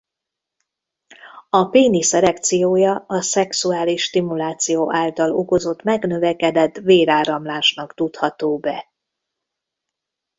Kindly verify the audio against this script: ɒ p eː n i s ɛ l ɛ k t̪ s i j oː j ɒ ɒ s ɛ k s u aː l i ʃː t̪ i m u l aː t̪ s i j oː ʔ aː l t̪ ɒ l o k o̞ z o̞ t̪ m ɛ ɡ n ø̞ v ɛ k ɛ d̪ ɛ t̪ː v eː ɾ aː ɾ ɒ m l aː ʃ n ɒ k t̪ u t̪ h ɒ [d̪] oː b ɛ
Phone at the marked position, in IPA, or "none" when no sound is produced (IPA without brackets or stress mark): t̪